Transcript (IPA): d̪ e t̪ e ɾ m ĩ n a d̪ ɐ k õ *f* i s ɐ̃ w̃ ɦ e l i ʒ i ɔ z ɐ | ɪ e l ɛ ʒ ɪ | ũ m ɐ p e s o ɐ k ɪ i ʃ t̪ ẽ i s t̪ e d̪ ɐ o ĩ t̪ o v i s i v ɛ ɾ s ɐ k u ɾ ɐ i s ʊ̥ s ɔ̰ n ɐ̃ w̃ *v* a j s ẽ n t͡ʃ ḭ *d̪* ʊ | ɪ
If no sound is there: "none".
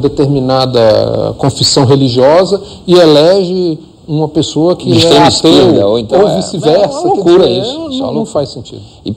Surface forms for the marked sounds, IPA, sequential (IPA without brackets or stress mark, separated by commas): f, f, d̪